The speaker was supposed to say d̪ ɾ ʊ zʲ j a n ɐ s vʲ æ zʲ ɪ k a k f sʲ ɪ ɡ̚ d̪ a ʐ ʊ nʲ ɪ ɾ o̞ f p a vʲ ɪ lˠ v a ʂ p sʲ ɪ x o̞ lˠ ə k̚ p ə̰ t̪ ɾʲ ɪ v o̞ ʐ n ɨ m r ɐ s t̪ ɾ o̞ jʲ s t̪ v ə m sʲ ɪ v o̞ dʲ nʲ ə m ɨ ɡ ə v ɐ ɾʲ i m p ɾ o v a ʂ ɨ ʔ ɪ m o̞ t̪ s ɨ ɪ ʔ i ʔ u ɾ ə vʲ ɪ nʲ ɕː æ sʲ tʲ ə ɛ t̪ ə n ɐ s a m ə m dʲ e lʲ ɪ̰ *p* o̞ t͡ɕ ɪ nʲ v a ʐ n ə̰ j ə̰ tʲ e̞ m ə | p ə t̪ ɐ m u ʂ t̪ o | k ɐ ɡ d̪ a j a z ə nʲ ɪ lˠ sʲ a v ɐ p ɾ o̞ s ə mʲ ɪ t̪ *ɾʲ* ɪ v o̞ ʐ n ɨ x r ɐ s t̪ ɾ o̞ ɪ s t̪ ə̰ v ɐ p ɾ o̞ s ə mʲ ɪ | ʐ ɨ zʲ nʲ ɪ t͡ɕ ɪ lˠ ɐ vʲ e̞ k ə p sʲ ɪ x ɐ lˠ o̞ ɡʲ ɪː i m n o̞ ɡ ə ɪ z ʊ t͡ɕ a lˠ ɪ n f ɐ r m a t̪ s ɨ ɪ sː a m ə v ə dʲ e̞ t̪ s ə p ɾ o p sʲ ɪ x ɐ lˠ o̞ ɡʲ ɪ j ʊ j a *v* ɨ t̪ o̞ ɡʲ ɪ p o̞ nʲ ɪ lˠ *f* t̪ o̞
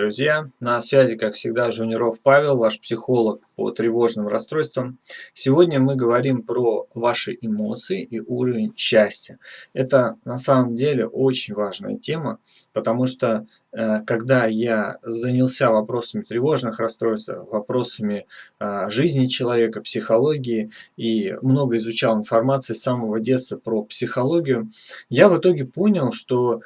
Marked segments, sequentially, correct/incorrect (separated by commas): incorrect, correct, correct, incorrect